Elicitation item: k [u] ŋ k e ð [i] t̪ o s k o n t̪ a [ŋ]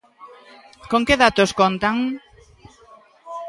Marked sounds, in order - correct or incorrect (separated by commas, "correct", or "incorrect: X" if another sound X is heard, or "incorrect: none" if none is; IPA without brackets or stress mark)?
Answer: incorrect: o, incorrect: a, correct